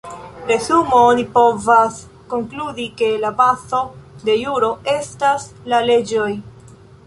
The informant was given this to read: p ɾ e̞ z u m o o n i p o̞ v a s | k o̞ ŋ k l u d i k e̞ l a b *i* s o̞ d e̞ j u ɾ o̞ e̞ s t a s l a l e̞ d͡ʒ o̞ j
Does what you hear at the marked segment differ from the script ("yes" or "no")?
yes